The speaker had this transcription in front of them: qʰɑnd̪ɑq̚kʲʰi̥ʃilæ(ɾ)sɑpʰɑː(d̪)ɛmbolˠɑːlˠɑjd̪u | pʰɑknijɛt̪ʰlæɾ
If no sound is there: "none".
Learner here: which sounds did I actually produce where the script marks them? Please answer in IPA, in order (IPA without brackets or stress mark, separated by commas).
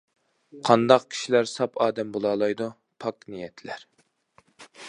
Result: ɾ, d̪